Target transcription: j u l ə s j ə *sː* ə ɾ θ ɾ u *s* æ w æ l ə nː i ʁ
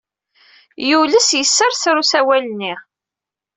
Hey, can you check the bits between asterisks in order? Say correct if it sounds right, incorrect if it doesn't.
correct, correct

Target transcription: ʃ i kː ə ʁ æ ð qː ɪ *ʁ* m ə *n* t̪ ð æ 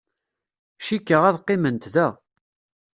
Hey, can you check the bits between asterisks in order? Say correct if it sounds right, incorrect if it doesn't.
incorrect, correct

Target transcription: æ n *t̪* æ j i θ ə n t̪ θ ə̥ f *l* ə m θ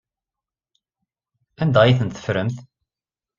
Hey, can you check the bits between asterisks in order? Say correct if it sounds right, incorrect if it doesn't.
incorrect, incorrect

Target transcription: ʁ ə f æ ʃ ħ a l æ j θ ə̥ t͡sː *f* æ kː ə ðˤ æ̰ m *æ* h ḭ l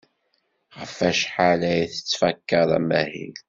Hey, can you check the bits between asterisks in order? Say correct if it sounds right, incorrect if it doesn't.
correct, correct

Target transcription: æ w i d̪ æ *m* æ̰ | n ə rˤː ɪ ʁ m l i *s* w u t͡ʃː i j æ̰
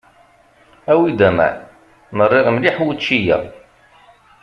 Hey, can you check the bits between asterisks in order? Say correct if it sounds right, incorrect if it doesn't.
correct, incorrect

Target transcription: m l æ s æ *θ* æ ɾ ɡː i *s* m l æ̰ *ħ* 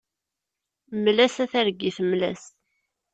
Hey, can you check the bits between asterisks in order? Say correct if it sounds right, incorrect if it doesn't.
correct, incorrect, incorrect

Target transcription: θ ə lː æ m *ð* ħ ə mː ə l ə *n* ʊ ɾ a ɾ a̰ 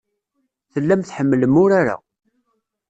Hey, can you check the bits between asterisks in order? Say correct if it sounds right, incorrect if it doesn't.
incorrect, incorrect

